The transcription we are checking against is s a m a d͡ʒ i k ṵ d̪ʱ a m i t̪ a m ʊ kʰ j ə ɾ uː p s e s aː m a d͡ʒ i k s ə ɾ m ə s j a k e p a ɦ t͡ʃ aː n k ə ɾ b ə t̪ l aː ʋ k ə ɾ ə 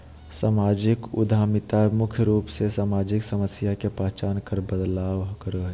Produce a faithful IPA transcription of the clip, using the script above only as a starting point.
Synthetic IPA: s a m a d͡ʒ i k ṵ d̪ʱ a m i t̪ a m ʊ kʰ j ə ɾ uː p s e s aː m a d͡ʒ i k s ə m ə s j a k e p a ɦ t͡ʃ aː n k ə ɾ b ə d̪ l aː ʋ k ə ɾ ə